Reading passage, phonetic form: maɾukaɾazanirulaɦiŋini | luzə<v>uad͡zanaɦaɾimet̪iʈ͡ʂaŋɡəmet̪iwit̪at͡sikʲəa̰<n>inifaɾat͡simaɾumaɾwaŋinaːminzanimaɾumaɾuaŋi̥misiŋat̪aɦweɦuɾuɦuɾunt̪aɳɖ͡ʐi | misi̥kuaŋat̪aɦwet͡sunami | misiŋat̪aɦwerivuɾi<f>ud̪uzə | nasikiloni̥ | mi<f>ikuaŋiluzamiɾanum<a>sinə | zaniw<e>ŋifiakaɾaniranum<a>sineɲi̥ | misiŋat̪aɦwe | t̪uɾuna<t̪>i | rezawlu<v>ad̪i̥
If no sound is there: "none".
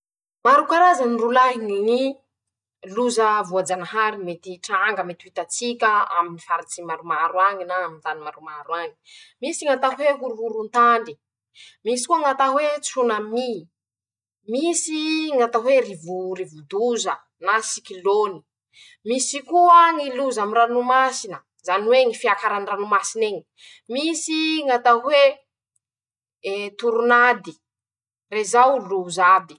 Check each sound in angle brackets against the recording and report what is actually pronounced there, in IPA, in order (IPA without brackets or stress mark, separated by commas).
v, m, v, s, a, e, a, d̪, z